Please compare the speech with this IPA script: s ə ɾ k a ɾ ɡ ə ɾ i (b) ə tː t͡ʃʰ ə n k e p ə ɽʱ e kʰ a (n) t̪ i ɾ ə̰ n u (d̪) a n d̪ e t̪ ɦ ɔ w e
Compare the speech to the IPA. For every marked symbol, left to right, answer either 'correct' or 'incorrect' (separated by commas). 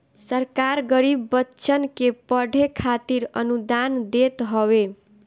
incorrect, incorrect, correct